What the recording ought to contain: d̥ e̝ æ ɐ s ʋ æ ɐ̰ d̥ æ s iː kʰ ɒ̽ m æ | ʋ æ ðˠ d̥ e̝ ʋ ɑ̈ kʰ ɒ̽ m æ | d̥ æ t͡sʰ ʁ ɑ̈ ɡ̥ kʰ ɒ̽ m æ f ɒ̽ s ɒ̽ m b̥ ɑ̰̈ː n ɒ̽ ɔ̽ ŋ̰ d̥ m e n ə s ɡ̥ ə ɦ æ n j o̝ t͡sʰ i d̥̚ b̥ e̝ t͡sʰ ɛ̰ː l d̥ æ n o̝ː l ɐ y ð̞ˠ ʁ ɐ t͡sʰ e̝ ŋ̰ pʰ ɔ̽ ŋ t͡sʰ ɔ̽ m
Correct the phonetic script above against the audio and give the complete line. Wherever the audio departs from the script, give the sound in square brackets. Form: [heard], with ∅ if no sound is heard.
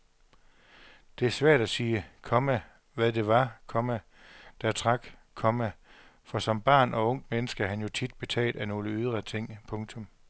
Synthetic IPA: d̥ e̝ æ ɐ s ʋ æ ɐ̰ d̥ æ s iː kʰ ɒ̽ m æ | ʋ æ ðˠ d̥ e̝ ʋ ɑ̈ kʰ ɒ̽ m æ | d̥ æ t͡sʰ ʁ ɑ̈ ɡ̥ kʰ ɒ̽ m æ f ɒ̽ s ɒ̽ m b̥ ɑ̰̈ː n ɒ̽ ɔ̽ ŋ̰ d̥ m e n ə s ɡ̥ ə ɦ æ n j o̝ t͡sʰ i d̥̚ b̥ e̝ t͡sʰ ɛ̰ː l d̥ æ n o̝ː l [ə] y ð̞ˠ ʁ ɐ t͡sʰ e̝ ŋ̰ pʰ ɔ̽ ŋ t͡sʰ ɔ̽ m